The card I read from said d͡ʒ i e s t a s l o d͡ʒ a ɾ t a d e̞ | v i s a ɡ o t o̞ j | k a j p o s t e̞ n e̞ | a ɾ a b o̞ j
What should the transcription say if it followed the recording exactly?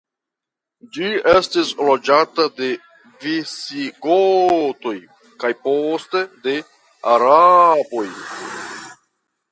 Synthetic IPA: d͡ʒ i e s t i s l o d͡ʒ a t a d e̞ | v i s i ɡ o t o̞ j | k a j p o s t e̞ d e̞ | a ɾ a b o̞ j

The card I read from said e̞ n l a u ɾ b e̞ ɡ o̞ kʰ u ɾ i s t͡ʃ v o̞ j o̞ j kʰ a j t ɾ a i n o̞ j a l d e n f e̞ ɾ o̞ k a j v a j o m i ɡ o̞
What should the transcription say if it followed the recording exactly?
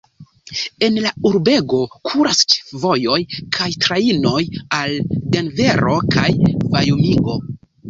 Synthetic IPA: e̞ n l a u ɾ b e̞ ɡ o̞ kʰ u ɾ a s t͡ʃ v o̞ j o̞ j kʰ a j t ɾ a i n o̞ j a l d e n v e̞ ɾ o̞ k a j v a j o m i ɡ o̞

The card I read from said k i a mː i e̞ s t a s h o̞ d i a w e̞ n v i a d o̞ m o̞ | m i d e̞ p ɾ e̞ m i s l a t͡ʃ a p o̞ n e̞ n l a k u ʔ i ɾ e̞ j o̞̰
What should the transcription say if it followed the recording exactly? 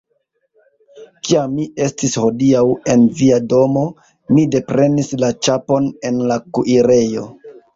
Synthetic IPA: k i a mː i e̞ s t i s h o̞ d i a w e̞ n v i a d o̞ m o̞ | m i d e̞ p ɾ e̞ n i s l a t͡ʃ a p o̞ n e̞ n l a k u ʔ i ɾ e̞ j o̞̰

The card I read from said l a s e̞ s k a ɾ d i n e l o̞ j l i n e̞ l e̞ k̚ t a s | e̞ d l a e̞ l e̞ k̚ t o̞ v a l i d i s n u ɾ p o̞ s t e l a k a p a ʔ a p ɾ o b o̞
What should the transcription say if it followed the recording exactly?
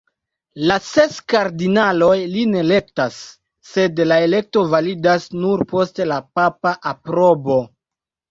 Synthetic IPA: l a s e̞ s k a ɾ d i n a l o̞ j l i n e̞ l e̞ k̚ t a sː | e̞ d l a e̞ l e̞ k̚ t o̞ v a l i d a s n u ɾ p o̞ s t e l a p a p a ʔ a p ɾ o b o̞

